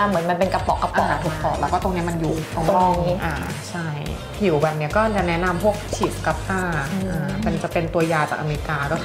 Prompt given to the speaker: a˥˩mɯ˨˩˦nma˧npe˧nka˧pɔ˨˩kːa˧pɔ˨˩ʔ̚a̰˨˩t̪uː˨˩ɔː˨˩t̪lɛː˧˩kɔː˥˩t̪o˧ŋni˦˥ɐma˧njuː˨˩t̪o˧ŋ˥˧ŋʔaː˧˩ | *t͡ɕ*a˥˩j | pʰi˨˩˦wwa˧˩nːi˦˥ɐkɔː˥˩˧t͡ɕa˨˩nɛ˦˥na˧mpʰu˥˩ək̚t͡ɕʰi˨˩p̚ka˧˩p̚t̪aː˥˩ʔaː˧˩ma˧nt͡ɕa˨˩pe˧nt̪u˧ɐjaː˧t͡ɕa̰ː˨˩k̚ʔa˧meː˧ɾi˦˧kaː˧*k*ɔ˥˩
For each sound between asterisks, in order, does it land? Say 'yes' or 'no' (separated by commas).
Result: no, yes